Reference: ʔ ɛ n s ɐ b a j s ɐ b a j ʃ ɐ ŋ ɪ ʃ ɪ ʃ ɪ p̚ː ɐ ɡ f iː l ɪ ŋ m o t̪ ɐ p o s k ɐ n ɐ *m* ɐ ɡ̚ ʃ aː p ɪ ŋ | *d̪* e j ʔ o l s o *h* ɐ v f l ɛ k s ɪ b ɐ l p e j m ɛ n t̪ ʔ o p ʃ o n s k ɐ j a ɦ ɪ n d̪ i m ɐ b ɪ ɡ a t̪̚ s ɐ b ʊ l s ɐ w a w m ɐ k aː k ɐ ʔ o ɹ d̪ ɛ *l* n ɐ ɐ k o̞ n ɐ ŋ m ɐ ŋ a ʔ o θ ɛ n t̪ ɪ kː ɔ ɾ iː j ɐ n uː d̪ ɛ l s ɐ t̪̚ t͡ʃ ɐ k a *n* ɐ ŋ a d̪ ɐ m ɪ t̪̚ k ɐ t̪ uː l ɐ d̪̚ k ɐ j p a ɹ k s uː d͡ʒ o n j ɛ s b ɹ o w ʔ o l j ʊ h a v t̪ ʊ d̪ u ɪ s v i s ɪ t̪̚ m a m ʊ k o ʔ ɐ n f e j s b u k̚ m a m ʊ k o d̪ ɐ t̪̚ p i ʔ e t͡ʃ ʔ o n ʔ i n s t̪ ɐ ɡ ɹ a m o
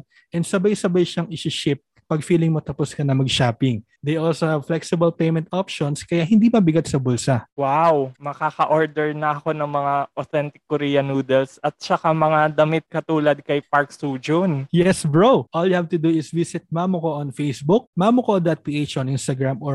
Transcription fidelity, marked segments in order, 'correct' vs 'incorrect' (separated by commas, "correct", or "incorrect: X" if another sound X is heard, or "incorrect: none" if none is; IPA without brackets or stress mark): correct, correct, correct, incorrect: ɹ, incorrect: m